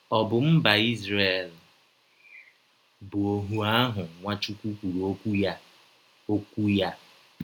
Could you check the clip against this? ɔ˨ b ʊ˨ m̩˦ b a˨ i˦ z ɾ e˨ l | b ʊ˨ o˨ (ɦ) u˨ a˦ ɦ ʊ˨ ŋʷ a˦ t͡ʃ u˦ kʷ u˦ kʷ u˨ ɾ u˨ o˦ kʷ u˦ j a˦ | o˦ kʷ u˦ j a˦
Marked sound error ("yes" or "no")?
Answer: no